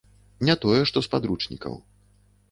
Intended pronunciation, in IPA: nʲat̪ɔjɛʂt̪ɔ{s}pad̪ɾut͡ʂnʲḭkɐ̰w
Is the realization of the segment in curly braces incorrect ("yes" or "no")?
no